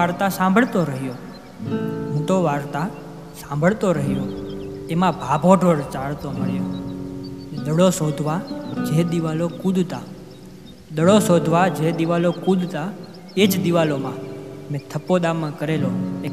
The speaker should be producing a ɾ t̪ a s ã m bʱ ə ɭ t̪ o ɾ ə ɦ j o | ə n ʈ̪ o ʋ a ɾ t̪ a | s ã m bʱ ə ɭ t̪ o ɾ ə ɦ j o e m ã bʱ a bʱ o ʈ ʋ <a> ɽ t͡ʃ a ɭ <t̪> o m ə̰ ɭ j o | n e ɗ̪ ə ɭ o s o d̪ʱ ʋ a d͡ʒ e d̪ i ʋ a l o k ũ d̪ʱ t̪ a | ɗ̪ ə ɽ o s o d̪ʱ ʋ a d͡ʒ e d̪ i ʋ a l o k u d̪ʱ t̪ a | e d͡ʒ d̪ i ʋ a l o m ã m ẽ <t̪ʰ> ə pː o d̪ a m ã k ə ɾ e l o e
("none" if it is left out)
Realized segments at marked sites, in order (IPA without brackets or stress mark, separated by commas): ə, t̪, t̪ʰ